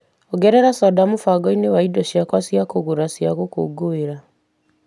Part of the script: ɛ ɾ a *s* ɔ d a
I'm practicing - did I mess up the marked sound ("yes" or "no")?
no